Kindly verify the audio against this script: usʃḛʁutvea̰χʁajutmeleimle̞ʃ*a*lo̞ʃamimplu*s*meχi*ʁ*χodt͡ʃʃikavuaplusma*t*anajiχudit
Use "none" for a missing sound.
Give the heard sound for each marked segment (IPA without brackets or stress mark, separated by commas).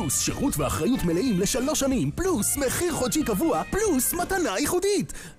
a, s, ʁ, t